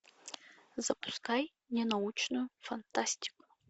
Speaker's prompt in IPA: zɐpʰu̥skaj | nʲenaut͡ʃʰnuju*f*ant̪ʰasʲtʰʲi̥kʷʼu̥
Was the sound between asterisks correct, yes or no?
yes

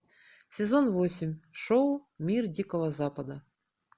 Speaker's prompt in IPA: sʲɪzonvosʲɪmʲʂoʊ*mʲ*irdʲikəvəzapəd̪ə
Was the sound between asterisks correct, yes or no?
yes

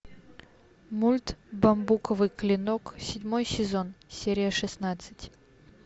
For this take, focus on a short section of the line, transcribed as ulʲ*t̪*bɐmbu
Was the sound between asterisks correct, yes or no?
yes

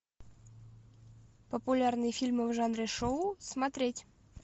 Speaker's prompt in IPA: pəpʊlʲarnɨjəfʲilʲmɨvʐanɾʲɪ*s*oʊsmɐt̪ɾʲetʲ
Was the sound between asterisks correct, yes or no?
no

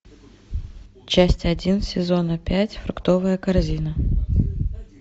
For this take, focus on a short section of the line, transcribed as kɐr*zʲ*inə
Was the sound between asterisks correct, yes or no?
yes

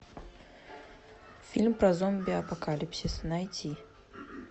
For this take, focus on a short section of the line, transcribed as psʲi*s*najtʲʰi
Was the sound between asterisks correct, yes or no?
yes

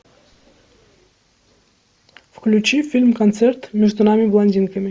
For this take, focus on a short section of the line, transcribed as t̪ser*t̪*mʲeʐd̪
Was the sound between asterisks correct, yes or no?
yes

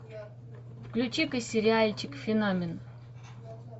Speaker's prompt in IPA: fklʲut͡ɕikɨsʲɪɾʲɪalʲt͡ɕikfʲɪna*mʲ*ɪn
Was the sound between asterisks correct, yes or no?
yes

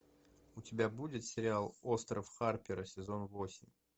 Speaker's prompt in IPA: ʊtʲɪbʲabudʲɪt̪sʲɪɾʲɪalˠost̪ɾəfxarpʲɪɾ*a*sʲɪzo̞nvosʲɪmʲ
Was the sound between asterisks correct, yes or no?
no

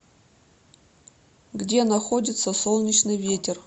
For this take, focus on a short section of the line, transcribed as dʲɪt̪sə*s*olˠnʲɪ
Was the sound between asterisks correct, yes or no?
yes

